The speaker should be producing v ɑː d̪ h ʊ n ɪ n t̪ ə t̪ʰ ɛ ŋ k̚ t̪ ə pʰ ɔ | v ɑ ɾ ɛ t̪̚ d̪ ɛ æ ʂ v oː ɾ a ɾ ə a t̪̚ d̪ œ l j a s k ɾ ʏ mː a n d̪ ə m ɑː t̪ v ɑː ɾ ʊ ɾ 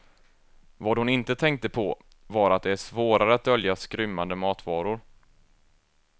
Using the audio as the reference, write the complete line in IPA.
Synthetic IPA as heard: v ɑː d̪ h ʊ n ɪ n t̪ ə t̪ʰ ɛ ŋ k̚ t̪ ə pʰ ɔ | v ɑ ɾ a t̪̚ d̪ ɛ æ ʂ v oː ɾ a ɾ ə a t̪̚ d̪ œ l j a s k ɾ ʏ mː a n d̪ ə m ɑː t̪ v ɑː ɾ ʊ ɾ